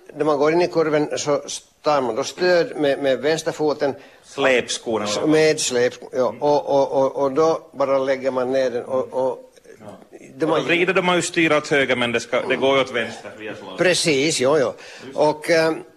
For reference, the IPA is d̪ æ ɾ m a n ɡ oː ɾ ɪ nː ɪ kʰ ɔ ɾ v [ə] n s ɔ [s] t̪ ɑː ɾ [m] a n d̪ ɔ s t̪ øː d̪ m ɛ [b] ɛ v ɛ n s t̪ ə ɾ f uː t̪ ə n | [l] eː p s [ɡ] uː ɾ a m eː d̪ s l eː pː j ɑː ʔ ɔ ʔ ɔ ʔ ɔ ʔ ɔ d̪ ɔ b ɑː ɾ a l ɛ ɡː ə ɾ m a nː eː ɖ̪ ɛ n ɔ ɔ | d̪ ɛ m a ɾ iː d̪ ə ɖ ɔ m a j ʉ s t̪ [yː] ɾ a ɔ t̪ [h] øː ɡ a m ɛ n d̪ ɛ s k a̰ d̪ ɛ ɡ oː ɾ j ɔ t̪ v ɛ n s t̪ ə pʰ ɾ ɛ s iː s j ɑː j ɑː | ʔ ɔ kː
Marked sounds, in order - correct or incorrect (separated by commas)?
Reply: correct, correct, correct, incorrect, correct, incorrect, correct, correct